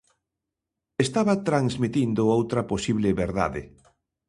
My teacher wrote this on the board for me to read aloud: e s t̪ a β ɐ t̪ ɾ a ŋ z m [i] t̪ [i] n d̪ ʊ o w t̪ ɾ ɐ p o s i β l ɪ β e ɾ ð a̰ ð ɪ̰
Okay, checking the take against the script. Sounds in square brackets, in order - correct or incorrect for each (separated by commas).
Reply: correct, correct